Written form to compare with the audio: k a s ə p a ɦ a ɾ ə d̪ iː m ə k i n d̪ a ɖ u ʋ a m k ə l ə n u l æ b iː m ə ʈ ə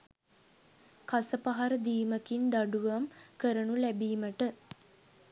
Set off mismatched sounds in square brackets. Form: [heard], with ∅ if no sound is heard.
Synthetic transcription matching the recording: k a s ə p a ɦ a ɾ ə d̪ iː m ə k i n d̪ a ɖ u ʋ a m k ə [ɾ] ə n u l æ b iː m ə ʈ ə